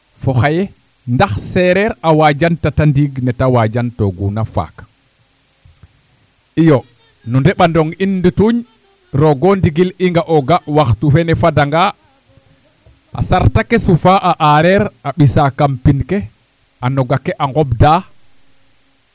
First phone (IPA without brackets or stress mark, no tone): f